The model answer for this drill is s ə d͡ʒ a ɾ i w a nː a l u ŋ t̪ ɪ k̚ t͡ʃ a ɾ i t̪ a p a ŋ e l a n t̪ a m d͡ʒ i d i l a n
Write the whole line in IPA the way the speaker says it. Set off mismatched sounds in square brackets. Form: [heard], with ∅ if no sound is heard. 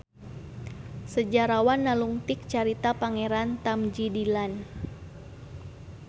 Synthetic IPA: s ə d͡ʒ a ɾ [a] w a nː a l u ŋ t̪ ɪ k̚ t͡ʃ a ɾ i t̪ a p a ŋ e [ɾ] a n t̪ a m d͡ʒ i d i l a n